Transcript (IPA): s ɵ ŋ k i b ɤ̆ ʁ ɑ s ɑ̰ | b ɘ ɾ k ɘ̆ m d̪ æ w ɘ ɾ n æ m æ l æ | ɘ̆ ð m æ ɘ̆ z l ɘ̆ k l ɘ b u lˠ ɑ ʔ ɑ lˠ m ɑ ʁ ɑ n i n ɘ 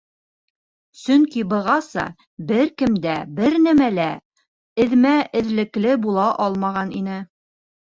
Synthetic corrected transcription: s ɵ ŋ k i b ɤ̆ ʁ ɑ s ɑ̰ | b ɘ ɾ k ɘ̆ m d̪ æ b ɘ ɾ n æ m æ l æ | ɘ̆ ð m æ ɘ̆ ð l ɘ̆ k l ɘ b u lˠ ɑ ʔ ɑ lˠ m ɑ ʁ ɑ n i n ɘ